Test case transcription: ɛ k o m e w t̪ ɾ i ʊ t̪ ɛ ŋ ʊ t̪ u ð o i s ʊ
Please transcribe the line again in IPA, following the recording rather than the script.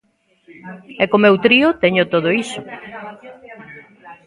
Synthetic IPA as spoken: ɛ k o m e w t̪ ɾ i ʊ t̪ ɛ ɲ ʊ t̪ o ð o i s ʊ